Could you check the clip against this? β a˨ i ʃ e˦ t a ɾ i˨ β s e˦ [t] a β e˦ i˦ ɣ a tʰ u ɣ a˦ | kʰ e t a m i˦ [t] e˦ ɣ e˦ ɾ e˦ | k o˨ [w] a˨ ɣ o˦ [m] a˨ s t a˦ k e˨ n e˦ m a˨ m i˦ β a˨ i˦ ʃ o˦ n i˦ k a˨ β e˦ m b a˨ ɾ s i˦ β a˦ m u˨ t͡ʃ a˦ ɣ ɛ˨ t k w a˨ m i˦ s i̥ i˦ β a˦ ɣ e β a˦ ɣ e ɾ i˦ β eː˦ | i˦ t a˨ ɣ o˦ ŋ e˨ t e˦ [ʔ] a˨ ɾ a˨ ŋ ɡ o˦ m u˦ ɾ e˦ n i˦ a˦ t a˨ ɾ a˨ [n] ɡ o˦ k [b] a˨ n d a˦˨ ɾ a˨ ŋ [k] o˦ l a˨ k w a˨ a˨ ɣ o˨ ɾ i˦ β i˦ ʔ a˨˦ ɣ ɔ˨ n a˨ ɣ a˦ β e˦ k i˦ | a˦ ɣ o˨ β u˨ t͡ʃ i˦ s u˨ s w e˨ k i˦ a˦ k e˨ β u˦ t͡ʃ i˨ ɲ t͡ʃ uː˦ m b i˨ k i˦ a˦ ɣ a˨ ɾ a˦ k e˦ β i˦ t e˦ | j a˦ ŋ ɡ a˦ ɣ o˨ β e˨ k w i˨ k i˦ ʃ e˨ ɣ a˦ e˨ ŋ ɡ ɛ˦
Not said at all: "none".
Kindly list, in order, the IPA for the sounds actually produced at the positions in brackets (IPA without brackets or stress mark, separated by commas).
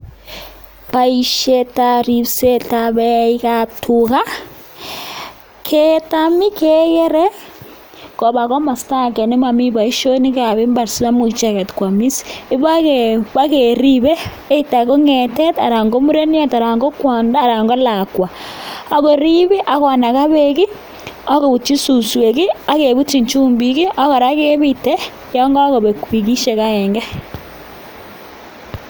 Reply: t, k, β, m, t, ŋ, w, ɡ